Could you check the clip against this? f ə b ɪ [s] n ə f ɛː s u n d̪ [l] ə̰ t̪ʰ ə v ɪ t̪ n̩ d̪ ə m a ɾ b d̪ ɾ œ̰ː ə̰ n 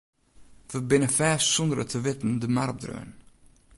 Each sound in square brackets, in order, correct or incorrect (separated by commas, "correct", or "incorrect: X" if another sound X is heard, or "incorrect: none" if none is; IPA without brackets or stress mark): incorrect: none, incorrect: ɾ